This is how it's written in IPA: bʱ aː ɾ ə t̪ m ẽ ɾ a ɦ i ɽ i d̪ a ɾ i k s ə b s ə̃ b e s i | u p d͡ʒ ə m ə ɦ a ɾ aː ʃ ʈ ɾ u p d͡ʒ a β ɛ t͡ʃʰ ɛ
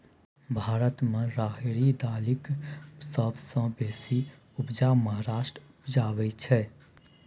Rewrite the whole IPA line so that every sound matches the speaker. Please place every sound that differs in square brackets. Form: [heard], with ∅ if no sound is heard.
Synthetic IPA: bʱ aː ɾ ə t̪ m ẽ ɾ a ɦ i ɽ i d̪ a [l] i k s ə b s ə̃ b e s i | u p d͡ʒ [a] m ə ɦ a ɾ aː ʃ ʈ ɾ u p d͡ʒ a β ɛ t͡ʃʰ ɛ